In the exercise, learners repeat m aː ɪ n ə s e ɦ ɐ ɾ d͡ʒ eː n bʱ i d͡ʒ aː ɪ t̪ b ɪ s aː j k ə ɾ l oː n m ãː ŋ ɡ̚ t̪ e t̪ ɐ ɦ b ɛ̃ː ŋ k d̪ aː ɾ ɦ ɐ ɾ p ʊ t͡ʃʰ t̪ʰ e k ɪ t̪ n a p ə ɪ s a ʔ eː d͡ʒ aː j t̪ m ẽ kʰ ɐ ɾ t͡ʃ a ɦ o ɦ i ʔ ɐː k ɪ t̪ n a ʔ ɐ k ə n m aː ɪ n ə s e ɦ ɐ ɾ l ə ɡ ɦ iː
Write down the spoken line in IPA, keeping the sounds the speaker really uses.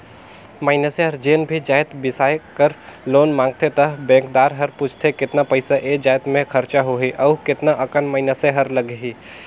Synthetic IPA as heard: m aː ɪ n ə s e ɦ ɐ ɾ d͡ʒ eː n bʱ i d͡ʒ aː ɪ t̪ b ɪ s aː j k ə ɾ l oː n m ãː ŋ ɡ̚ t̪ e t̪ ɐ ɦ b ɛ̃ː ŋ k d̪ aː ɾ ɦ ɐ ɾ p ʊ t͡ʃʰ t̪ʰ e k ɪ t̪ n a p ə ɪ s a ʔ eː d͡ʒ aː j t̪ m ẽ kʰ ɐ ɾ t͡ʃ a ɦ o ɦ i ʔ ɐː k ɪ t̪ n a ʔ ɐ k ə n m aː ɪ n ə s e ɦ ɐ ɾ l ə ɡ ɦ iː

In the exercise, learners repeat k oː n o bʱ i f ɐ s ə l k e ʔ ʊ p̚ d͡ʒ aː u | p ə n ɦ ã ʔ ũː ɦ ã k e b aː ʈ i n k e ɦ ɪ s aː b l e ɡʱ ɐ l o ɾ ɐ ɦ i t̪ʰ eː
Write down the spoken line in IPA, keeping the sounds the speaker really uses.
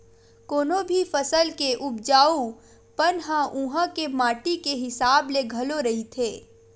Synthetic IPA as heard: k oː n o bʱ i f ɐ s ə l k e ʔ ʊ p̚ d͡ʒ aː u | p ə n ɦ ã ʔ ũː ɦ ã k e m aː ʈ i k e ɦ ɪ s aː b l e ɡʱ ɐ l o ɾ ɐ ɦ i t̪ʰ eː

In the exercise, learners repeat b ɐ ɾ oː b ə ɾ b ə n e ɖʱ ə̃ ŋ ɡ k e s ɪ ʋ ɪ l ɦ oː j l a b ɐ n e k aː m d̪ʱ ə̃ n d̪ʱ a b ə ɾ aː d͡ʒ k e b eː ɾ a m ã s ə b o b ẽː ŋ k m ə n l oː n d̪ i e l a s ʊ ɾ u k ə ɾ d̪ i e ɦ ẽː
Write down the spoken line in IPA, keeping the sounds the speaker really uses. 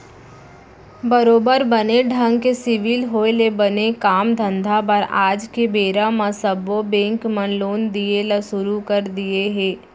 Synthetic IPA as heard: b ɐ ɾ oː b ə ɾ b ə n e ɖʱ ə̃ ŋ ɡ k e s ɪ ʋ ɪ l ɦ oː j l e b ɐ n e k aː m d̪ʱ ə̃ n d̪ʱ a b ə ɾ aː d͡ʒ k e b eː ɾ a m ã s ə b o b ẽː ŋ k m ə n l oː n d̪ i e l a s ʊ ɾ u k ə ɾ d̪ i e ɦ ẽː

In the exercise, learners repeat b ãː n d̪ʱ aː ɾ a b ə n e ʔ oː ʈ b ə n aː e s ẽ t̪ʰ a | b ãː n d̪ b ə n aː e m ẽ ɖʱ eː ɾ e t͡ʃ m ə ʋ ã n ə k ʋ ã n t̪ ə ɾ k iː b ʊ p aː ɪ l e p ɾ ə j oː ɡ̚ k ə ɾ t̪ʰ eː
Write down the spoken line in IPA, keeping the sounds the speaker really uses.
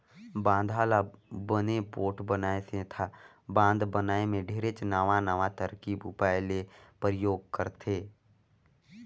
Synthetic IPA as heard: b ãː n d̪ʱ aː l a b ə n e p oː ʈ b ə n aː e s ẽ t̪ʰ a | b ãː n d̪ b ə n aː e m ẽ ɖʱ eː ɾ e t͡ʃ n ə ʋ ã n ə ʋ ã t̪ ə ɾ k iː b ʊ p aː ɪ l e p ɾ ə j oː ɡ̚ k ə ɾ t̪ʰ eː

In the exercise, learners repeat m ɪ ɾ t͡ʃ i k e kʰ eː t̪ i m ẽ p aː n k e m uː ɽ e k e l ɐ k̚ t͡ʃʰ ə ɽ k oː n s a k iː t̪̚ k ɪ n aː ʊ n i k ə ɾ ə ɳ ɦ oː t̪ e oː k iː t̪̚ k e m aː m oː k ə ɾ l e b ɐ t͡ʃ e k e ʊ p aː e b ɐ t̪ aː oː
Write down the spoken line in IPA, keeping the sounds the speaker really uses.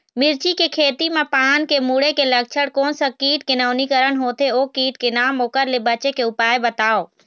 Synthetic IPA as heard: m ɪ ɾ t͡ʃ i k e kʰ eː t̪ i m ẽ p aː n k e m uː ɽ e k e l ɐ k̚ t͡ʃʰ ə ɽ k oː n s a k iː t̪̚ k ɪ n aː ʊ n i k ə ɾ ə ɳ ɦ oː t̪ e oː k iː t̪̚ k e n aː m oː k ə ɾ l e b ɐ t͡ʃ e k e ʊ p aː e b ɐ t̪ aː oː

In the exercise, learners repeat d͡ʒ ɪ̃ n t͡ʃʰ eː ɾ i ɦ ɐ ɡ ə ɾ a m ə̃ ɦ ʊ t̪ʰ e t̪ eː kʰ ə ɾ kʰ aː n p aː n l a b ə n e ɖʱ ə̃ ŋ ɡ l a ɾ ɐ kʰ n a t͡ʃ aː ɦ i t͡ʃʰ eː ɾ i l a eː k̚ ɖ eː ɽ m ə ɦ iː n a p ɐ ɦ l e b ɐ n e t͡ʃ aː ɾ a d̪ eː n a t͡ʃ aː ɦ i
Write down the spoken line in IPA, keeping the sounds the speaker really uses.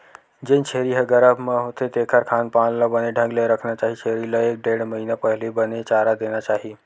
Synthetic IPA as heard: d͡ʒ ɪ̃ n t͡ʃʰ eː ɾ i ɦ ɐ ɡ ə ɾ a m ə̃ ɦ ʊ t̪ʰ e t̪ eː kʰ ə ɾ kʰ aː n p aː n l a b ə n e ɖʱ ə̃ ŋ ɡ l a ɾ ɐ kʰ n a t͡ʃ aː ɦ i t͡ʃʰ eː ɾ i l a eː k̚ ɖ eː ɽ m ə ɦ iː n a p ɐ ɦ l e b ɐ n e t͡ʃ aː ɾ a d̪ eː n a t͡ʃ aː ɦ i

